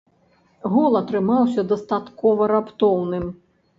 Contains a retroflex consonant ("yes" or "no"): no